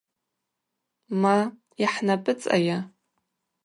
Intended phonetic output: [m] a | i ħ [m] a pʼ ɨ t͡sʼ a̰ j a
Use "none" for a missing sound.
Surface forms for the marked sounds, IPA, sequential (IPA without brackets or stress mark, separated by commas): m, n